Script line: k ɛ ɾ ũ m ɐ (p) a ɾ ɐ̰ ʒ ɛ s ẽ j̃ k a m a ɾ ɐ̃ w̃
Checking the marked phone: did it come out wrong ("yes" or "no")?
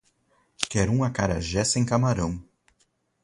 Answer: yes